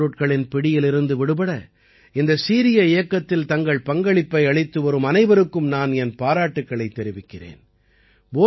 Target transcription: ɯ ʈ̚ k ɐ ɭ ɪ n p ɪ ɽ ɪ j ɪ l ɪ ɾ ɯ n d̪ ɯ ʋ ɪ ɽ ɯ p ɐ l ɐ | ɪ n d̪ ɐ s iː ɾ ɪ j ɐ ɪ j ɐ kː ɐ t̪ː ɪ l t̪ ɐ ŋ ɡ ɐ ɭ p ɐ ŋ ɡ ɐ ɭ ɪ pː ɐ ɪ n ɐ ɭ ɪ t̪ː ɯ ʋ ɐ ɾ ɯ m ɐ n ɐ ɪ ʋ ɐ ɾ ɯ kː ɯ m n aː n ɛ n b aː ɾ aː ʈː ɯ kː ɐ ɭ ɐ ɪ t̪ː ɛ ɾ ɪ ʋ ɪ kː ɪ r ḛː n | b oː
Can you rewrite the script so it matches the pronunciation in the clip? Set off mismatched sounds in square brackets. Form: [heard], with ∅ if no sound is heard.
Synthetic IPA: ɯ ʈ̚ k ɐ ɭ ɪ n p ɪ ɽ ɪ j ɪ l ɪ ɾ ɯ n d̪ ɯ ʋ ɪ ɽ ɯ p ɐ [ɽ] ɐ | ɪ n d̪ ɐ s iː ɾ ɪ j ɐ ɪ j ɐ kː ɐ t̪ː ɪ l t̪ ɐ ŋ ɡ ɐ ɭ p ɐ ŋ ɡ ɐ ɭ ɪ pː ɐ ɪ [∅] ɐ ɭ ɪ t̪ː ɯ ʋ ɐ ɾ ɯ m ɐ n ɐ ɪ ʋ ɐ ɾ ɯ kː ɯ m n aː n ɛ n [p] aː ɾ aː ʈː ɯ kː ɐ ɭ ɐ ɪ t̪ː ɛ ɾ ɪ ʋ ɪ kː ɪ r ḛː n | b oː